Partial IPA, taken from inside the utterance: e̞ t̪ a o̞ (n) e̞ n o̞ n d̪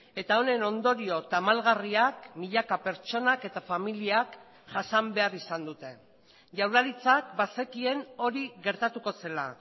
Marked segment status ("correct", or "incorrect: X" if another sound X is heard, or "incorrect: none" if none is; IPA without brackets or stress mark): correct